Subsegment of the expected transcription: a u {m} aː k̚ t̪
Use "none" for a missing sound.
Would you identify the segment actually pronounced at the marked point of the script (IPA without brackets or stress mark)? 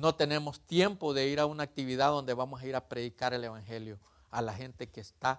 n